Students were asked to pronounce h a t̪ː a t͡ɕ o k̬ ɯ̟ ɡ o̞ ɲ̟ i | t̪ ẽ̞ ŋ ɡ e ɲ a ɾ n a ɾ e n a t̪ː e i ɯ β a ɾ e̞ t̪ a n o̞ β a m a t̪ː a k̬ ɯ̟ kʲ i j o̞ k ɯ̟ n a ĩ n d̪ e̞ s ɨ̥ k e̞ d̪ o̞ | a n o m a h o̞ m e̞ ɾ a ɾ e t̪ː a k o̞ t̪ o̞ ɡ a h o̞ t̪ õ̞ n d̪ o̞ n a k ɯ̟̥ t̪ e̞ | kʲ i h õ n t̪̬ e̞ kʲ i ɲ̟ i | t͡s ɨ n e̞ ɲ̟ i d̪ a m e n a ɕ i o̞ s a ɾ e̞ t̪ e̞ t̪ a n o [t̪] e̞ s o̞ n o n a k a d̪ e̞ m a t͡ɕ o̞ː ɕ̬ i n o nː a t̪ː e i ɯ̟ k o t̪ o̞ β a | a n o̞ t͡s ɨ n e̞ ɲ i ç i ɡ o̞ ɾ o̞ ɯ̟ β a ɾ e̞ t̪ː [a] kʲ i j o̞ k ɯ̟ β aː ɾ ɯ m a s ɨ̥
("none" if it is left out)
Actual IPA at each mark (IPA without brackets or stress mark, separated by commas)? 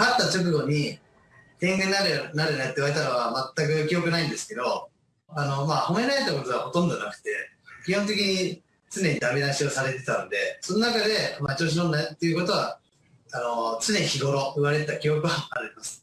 d̪, a